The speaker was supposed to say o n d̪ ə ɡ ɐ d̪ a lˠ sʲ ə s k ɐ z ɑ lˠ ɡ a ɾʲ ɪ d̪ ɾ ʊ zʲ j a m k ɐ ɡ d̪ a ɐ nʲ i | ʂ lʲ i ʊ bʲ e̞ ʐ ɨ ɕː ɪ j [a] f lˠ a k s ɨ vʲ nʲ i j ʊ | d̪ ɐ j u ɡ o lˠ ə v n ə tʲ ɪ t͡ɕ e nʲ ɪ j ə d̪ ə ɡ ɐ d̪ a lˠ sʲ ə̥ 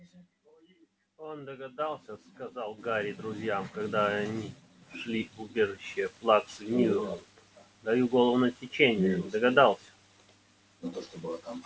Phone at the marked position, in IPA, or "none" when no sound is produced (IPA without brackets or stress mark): ə